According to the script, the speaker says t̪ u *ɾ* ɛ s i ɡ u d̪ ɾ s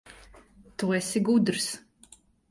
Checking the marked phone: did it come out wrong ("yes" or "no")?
yes